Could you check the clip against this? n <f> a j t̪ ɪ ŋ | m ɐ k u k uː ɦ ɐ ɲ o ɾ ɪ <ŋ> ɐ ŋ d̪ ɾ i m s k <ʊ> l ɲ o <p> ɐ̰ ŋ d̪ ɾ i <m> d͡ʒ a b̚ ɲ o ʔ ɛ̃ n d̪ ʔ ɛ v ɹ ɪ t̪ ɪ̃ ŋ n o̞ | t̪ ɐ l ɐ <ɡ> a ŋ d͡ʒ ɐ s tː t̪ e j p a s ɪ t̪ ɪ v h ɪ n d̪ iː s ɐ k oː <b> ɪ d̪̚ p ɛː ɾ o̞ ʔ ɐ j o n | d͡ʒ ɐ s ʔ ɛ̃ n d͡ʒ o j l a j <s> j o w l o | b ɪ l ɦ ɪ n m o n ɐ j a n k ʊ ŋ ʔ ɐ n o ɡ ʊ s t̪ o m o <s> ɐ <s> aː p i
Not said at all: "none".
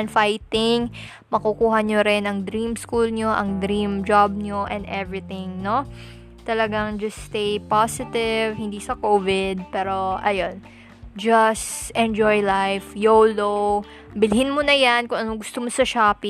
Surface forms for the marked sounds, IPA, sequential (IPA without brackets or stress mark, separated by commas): f, n, u, ʔ, m, ɡ, v, f, s, ʃ